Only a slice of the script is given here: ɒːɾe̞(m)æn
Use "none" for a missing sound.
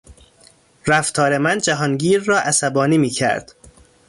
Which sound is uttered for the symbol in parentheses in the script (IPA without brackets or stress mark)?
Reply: m